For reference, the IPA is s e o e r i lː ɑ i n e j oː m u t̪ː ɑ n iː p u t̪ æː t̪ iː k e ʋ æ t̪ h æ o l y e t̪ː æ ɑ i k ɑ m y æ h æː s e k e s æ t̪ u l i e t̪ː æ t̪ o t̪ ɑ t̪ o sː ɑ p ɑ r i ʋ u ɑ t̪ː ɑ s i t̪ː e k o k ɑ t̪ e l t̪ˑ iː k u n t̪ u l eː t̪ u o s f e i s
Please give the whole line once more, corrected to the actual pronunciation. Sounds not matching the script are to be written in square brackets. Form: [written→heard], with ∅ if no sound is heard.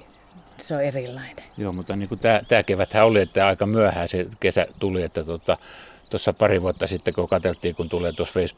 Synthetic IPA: s e o e r i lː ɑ i n e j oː m u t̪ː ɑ n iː [p→k] u t̪ æː t̪ [iː→æː] k e ʋ æ t̪ h æ o l [y→i] e t̪ː æ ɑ i k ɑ m y æ h æː s e k e s æ t̪ u l i e t̪ː æ t̪ o t̪ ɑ t̪ o sː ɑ p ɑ r i ʋ u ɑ t̪ː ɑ s i t̪ː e k o k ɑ t̪ e l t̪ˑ iː k u n t̪ u l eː t̪ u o s f e i s